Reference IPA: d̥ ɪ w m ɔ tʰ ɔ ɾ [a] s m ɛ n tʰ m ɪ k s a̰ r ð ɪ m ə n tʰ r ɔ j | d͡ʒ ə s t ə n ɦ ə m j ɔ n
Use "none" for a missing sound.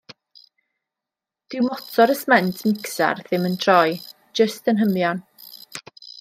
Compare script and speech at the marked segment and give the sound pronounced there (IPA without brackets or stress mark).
ə